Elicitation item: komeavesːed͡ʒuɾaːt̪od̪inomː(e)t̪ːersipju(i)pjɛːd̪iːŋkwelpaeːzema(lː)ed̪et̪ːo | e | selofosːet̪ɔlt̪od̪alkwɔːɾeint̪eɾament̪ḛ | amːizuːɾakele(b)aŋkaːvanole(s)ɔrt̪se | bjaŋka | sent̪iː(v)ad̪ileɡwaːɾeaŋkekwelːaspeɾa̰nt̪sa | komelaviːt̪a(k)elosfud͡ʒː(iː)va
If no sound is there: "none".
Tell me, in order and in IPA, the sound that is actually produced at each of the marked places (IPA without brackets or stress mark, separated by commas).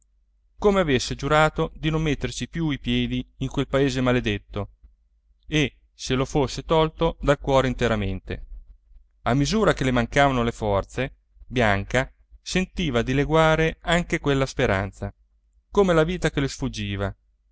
e, i, l, m, f, v, k, iː